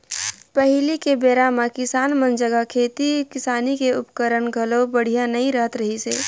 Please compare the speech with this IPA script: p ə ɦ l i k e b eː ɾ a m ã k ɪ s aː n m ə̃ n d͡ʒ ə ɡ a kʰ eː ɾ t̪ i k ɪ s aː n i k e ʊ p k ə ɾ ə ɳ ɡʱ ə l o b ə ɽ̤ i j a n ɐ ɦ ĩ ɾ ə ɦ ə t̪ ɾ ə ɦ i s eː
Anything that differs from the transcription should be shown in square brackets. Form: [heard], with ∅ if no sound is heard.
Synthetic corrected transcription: p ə ɦ l i k e b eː ɾ a m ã k ɪ s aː n m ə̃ n d͡ʒ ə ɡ a kʰ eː [∅] t̪ i k ɪ s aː n i k e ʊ p k ə ɾ ə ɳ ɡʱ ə l o b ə ɽ̤ i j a n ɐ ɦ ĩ ɾ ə ɦ ə t̪ ɾ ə ɦ i s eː